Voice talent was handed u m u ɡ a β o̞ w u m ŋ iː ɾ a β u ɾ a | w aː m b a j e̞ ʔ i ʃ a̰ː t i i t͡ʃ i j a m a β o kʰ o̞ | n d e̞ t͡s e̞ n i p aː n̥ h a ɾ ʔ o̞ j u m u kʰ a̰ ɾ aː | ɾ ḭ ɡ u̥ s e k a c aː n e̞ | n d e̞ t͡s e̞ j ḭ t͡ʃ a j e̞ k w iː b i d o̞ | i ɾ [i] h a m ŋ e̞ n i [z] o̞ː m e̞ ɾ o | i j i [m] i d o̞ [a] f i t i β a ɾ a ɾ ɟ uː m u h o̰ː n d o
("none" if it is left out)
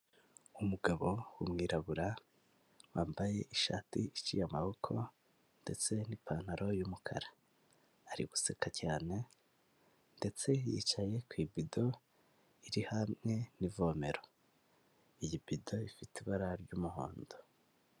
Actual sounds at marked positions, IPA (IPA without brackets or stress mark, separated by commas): i, v, b, i